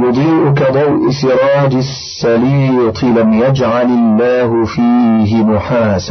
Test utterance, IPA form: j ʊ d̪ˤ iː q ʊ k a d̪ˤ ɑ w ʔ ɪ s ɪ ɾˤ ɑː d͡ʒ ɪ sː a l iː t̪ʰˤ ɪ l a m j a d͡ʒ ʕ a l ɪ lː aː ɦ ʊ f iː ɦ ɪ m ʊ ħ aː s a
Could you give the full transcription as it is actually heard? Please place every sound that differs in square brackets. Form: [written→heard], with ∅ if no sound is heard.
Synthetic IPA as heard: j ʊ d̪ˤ iː [q→ʔ] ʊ k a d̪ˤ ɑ w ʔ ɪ s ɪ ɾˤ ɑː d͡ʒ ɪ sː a l iː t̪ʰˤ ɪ l a m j a d͡ʒ ʕ a l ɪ lː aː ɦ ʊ f iː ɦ ɪ m ʊ ħ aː s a